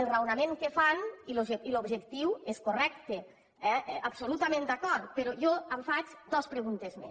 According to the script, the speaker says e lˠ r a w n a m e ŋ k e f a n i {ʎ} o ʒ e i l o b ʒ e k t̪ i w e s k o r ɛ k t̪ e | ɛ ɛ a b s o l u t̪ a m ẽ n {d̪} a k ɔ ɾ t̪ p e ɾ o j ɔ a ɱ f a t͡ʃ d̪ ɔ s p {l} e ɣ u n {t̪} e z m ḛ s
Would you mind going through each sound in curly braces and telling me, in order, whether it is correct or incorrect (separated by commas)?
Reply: incorrect, correct, incorrect, correct